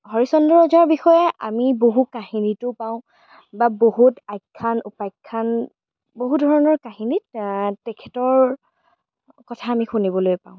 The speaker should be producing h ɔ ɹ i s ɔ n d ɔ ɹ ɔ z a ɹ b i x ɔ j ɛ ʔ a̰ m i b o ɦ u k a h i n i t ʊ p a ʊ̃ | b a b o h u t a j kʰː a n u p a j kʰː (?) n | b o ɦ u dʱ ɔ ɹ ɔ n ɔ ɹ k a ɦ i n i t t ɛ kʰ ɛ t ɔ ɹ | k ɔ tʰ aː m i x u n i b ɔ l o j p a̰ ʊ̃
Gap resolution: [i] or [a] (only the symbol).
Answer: a